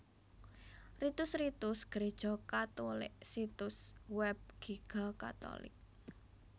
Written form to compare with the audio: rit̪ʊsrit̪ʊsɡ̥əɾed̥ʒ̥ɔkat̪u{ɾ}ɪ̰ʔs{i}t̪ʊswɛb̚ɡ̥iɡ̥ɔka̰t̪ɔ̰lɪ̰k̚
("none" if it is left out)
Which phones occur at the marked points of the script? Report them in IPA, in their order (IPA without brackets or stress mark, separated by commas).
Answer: l, i